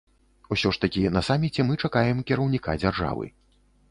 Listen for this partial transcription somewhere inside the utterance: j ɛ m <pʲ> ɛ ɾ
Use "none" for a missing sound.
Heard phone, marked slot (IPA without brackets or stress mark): kʲ